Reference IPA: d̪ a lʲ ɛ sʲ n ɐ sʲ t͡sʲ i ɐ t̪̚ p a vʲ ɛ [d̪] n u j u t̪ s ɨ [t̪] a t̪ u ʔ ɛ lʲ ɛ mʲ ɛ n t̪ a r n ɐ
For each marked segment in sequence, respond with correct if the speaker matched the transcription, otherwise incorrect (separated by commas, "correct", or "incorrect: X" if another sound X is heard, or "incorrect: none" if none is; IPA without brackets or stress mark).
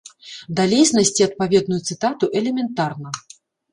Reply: correct, correct